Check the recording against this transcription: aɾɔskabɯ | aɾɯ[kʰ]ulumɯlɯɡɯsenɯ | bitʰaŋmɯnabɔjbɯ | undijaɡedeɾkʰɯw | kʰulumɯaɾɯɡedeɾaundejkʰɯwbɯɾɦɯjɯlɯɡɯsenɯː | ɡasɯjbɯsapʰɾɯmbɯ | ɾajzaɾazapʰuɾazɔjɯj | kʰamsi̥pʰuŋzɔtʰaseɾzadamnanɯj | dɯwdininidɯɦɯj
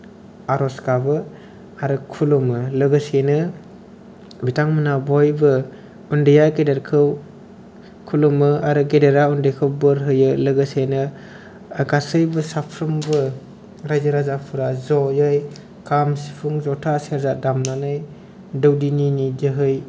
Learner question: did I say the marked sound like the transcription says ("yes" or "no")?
yes